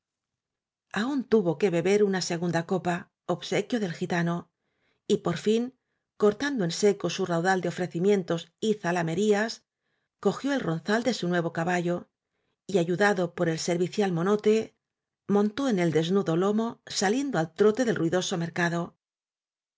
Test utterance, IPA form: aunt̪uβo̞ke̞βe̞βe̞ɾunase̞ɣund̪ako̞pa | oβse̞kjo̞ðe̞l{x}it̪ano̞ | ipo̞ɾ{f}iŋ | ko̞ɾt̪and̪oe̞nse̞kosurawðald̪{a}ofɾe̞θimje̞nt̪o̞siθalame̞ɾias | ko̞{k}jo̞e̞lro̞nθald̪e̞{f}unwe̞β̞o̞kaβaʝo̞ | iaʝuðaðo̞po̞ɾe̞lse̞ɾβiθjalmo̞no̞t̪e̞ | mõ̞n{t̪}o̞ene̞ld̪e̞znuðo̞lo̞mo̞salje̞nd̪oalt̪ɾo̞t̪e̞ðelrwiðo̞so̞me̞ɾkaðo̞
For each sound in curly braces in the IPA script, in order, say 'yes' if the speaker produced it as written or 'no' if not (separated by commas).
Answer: yes, yes, no, no, no, yes